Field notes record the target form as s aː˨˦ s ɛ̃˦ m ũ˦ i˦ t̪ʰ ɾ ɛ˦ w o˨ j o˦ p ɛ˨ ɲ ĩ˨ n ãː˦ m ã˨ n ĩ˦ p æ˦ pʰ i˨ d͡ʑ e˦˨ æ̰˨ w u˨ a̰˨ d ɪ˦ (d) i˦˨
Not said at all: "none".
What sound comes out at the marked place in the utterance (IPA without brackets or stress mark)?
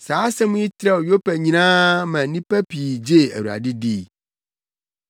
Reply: d